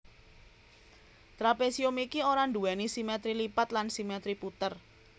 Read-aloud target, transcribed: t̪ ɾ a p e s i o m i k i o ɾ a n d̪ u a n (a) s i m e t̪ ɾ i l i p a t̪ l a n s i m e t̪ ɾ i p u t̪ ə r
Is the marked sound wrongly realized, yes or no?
yes